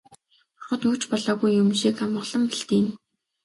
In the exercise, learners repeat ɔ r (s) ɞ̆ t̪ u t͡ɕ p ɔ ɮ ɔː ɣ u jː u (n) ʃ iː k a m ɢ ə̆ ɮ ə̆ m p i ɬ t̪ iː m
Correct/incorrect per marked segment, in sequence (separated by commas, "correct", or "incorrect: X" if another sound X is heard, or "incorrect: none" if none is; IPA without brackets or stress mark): incorrect: χ, incorrect: m